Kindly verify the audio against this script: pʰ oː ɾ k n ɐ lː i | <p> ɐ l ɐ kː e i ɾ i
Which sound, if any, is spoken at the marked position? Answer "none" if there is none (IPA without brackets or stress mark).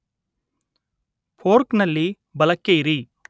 b